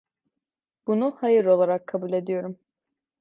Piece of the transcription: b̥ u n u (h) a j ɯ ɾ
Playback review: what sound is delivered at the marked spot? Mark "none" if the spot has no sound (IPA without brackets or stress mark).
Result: h